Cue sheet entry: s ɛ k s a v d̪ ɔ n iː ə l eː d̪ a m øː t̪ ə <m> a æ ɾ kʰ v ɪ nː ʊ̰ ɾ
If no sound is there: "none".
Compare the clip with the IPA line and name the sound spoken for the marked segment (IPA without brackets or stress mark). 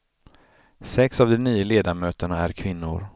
ɳ